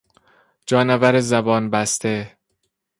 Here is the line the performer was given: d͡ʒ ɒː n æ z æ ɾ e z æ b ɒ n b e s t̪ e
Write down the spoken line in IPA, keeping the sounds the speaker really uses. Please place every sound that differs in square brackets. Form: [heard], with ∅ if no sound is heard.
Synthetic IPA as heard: d͡ʒ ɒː n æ [v] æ ɾ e z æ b [ɒː] n b [æ] s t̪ e